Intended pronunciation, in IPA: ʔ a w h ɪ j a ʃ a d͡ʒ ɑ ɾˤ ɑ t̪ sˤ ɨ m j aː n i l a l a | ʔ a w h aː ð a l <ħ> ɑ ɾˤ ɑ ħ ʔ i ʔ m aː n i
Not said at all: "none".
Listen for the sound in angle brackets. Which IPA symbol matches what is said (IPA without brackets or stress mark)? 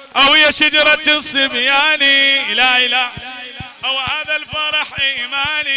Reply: f